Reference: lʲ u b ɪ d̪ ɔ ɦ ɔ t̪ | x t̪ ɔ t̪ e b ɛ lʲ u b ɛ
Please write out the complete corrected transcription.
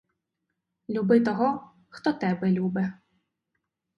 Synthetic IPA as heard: lʲ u b ɪ t̪ ɔ ɦ ɔ | x t̪ ɔ t̪ ɛ b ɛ lʲ u b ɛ